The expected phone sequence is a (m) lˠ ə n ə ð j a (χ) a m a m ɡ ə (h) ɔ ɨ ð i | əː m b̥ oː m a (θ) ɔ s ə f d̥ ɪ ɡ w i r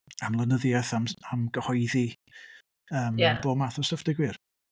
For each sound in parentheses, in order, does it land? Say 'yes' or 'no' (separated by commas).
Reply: yes, no, yes, yes